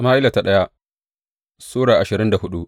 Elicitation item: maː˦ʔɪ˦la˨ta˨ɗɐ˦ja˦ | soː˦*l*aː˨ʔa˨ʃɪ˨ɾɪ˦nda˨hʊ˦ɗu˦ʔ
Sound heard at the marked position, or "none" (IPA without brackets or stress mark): ɽ